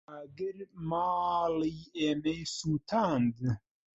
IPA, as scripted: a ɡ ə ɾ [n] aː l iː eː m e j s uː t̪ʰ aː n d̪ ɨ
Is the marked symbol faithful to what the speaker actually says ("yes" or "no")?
no